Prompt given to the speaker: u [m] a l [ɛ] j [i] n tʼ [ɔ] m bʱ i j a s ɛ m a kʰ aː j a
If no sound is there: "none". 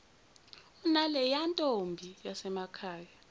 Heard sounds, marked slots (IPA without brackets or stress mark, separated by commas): n, ɛ, a, o